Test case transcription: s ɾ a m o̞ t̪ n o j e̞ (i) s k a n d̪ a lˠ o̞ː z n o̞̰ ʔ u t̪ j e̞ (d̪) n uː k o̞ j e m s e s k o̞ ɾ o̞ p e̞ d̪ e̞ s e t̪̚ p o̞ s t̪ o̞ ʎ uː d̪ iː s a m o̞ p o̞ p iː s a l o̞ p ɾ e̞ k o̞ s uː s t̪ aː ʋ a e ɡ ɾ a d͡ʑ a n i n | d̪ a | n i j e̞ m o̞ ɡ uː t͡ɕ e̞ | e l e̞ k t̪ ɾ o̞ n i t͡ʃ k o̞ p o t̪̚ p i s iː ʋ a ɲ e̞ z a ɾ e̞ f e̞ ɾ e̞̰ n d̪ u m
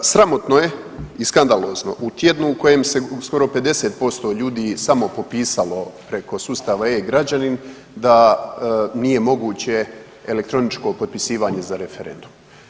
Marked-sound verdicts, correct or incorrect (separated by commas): correct, correct